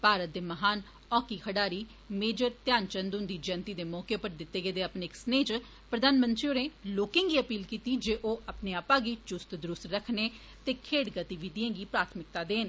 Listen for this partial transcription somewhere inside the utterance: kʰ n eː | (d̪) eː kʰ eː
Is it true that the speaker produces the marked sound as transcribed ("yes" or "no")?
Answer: no